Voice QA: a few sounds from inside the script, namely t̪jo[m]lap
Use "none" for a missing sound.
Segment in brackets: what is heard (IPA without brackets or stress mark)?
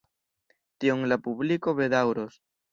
ŋ